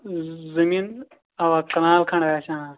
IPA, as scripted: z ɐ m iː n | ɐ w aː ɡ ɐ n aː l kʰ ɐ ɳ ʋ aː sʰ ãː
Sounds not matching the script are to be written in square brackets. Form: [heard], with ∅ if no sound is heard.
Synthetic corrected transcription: z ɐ m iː n | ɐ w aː [k] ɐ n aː l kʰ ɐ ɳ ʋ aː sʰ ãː